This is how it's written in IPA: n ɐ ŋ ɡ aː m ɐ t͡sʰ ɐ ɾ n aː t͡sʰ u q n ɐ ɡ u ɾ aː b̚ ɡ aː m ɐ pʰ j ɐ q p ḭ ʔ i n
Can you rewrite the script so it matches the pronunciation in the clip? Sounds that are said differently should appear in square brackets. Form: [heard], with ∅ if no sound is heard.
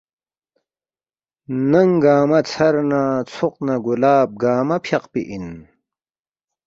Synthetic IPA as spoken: n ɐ ŋ ɡ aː m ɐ t͡sʰ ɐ ɾ n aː t͡sʰ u q n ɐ ɡ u [l] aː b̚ ɡ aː m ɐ pʰ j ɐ q p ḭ ʔ i n